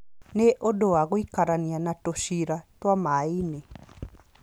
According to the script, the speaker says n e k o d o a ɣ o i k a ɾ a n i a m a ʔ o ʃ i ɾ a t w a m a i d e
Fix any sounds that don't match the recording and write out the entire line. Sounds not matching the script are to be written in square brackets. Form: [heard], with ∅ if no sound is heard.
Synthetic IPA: n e [ʔ] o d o a ɣ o i k a ɾ a n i a [n] a [t] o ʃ i ɾ a t w a m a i [n] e